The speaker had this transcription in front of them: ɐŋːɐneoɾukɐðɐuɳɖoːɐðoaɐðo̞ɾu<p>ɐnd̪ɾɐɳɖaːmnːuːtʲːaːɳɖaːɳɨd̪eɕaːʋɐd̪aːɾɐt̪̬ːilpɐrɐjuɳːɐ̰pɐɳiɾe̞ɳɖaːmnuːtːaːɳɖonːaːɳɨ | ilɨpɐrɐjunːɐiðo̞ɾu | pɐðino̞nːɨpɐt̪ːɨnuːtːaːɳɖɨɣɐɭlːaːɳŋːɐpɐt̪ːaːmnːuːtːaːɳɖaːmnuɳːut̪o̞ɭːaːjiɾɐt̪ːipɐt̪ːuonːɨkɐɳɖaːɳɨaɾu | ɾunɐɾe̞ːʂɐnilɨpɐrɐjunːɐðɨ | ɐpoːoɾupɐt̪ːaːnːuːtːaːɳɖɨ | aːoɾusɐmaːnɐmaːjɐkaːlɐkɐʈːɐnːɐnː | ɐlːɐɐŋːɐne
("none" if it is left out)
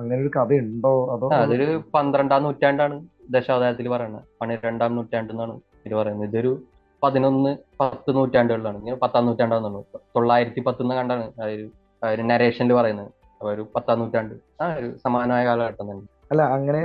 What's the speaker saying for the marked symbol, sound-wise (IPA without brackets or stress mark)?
p